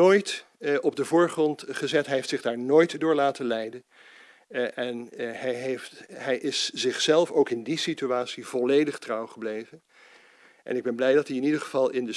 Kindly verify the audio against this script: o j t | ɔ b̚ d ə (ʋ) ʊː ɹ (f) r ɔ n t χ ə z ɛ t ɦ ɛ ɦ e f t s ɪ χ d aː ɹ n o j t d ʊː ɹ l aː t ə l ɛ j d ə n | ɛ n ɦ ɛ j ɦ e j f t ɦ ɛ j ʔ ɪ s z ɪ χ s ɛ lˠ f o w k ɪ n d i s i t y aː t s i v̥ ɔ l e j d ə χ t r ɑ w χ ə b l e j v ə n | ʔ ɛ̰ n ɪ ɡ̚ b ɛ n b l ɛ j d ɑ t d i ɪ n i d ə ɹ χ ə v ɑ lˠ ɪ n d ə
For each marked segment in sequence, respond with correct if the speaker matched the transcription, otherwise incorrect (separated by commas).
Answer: incorrect, incorrect